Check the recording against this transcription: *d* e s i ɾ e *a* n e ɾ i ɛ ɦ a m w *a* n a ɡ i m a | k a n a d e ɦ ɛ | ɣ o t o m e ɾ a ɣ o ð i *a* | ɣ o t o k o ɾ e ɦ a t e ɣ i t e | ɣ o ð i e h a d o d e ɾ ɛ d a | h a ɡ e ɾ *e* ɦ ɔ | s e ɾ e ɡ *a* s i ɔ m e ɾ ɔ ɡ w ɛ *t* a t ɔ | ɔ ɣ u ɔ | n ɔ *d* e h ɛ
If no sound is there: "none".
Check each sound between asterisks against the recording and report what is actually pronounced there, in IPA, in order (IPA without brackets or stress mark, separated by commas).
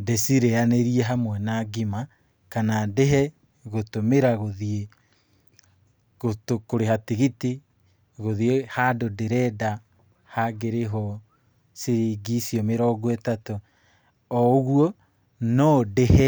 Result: d, a, ɛ, e, e, i, t, d